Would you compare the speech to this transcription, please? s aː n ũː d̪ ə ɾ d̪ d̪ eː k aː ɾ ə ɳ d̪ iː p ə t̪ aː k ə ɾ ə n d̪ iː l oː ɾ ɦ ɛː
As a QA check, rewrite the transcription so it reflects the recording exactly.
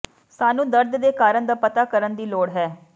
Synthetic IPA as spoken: s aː n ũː d̪ ə ɾ d̪ d̪ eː k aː ɾ ə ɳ d̪ aː p ə t̪ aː k ə ɾ ə n d̪ iː l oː ɽ ɦ ɛː